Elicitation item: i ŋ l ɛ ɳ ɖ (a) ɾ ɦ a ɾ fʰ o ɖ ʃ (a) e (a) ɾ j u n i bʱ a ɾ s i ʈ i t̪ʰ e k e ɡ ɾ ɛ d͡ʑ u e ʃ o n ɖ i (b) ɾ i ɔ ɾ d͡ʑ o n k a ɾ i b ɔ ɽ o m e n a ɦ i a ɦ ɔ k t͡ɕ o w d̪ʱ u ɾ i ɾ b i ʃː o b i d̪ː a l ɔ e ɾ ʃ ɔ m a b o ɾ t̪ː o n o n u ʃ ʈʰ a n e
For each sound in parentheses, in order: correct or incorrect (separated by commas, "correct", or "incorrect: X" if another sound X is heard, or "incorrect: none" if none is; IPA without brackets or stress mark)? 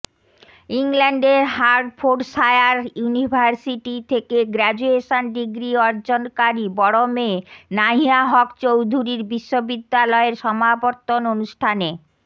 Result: incorrect: e, correct, correct, incorrect: ɡ